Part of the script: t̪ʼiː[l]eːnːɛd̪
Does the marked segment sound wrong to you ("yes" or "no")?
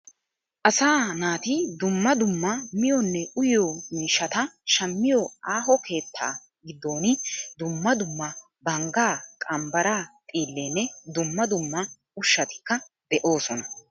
yes